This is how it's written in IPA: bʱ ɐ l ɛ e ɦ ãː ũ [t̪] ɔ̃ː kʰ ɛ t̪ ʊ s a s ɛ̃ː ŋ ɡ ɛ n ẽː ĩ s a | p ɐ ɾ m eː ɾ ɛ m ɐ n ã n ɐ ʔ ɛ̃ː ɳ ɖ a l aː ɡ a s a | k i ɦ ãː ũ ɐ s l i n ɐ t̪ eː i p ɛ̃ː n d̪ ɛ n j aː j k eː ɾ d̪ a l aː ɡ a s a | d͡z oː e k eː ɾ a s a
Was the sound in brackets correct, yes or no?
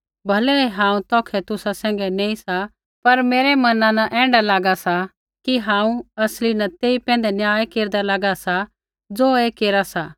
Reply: yes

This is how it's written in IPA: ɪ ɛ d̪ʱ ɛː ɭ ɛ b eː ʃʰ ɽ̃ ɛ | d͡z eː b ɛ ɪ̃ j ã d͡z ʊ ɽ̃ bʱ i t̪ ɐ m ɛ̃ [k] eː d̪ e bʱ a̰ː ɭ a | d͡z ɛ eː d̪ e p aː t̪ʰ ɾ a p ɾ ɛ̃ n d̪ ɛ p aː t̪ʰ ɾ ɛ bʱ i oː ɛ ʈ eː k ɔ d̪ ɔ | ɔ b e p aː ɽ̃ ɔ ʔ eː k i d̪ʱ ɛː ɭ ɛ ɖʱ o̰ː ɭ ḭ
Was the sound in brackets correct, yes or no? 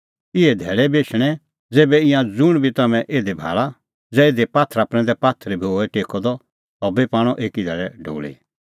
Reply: no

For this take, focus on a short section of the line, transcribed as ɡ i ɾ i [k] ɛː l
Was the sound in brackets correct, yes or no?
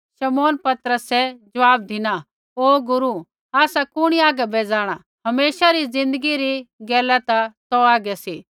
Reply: no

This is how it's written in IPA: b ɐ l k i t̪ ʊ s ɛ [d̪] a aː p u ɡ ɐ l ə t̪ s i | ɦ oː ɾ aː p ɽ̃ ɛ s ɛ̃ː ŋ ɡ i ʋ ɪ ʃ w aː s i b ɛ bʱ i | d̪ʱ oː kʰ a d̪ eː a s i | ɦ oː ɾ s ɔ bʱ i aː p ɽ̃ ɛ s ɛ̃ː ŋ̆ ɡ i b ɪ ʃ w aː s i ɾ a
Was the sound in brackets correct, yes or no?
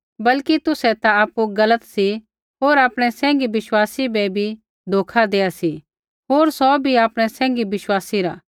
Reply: no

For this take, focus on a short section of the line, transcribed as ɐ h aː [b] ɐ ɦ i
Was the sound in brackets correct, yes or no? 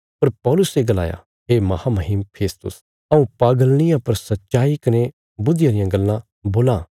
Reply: no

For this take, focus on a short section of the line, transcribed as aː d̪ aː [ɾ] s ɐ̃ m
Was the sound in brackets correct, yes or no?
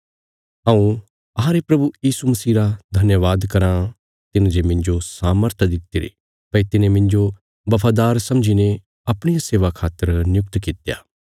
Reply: yes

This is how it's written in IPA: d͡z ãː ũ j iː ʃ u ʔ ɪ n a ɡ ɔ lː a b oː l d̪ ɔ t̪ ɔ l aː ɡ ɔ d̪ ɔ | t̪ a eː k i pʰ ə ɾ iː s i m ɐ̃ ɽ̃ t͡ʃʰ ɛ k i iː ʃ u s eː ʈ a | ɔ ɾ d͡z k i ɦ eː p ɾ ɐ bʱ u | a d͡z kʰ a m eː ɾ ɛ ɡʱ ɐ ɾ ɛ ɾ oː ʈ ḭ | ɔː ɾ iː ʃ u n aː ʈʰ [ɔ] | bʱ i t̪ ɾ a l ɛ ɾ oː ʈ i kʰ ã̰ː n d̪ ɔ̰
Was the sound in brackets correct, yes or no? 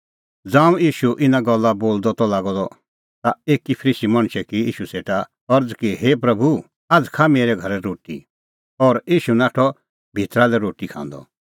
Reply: yes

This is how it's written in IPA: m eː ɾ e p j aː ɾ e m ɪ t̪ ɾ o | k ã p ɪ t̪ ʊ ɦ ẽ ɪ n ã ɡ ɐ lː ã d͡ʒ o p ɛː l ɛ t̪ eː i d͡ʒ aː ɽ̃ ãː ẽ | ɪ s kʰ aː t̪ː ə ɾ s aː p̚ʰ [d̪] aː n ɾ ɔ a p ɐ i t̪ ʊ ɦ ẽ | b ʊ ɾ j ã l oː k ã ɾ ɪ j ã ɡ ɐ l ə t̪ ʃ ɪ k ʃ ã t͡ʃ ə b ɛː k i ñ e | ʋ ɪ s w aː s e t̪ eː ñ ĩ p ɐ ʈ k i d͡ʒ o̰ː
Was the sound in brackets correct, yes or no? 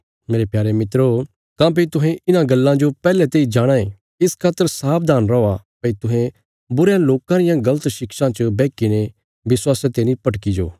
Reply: yes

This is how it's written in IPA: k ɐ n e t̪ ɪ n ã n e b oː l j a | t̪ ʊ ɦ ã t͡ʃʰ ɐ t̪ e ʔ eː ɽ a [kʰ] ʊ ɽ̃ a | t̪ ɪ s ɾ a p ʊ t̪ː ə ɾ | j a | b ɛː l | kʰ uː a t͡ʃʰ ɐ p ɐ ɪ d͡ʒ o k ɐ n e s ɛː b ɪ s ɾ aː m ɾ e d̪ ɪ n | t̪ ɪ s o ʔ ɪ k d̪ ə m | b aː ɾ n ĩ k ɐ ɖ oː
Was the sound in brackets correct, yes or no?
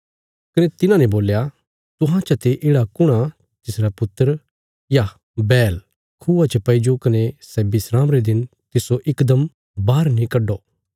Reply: no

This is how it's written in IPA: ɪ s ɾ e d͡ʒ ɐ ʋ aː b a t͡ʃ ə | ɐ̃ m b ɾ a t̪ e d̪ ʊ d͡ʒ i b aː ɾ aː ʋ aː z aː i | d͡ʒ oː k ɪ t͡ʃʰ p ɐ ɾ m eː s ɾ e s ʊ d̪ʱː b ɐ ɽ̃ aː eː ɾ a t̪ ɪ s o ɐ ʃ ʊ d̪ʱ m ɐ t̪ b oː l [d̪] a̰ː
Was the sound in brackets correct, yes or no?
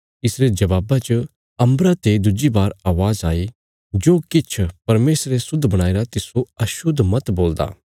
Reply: yes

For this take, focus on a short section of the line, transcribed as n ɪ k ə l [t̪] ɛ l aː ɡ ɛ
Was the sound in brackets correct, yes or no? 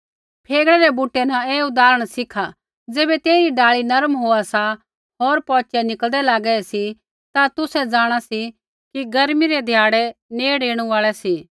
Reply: no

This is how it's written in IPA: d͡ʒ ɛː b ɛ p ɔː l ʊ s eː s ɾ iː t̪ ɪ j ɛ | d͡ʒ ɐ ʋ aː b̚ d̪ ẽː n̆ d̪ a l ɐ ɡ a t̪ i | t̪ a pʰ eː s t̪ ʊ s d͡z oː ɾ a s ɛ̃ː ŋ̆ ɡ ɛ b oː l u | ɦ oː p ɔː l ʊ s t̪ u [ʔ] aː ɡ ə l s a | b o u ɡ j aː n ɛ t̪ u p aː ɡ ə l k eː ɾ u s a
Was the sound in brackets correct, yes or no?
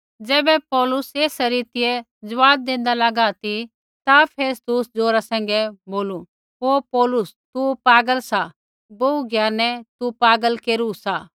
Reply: no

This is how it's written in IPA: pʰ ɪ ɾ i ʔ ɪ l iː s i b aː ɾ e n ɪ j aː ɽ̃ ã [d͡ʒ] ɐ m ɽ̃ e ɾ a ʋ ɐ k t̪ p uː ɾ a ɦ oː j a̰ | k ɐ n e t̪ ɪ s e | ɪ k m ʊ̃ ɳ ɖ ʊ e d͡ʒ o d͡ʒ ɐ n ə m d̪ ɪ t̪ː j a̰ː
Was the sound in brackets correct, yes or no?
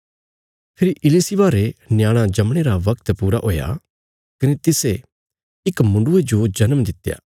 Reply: yes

